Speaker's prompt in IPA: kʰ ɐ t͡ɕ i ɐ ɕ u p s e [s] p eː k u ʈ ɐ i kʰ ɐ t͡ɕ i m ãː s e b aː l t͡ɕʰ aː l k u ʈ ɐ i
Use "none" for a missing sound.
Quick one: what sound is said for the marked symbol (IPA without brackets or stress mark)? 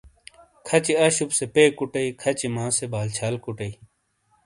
none